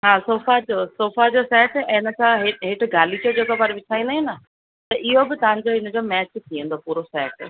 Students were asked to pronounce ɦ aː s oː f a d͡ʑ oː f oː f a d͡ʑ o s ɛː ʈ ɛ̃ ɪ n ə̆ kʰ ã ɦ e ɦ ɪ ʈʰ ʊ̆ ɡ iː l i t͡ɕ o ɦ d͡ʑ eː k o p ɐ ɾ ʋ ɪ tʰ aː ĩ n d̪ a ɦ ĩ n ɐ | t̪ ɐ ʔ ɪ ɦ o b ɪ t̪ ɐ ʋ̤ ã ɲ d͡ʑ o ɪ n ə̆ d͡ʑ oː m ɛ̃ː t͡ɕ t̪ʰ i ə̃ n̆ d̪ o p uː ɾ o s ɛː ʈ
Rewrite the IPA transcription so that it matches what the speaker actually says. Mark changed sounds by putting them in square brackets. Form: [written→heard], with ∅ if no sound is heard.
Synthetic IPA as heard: ɦ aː s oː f a d͡ʑ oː [f→s] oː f a d͡ʑ o s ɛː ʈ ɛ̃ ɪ n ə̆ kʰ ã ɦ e ɦ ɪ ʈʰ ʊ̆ ɡ [iː→aː] l i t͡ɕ o [ɦ→∅] d͡ʑ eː k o p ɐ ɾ ʋ ɪ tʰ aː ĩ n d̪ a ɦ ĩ n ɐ | t̪ ɐ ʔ ɪ ɦ o b ɪ t̪ ɐ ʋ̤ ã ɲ d͡ʑ o ɪ n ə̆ d͡ʑ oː m [ɛ̃ː→ɛː] t͡ɕ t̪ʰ i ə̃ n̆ d̪ o p uː ɾ o s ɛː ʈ